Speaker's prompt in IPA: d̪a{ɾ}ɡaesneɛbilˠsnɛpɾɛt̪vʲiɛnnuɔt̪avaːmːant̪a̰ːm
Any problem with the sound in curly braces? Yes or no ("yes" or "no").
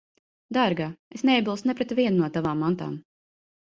no